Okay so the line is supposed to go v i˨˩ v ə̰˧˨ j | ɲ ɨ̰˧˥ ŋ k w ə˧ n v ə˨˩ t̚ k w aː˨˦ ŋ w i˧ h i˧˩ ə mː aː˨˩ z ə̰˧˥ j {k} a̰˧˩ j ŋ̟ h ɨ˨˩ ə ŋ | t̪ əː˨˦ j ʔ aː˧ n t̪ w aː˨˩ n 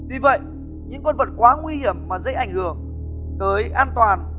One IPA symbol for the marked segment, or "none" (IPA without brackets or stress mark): ʔ